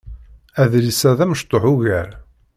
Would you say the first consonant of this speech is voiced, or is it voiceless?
voiced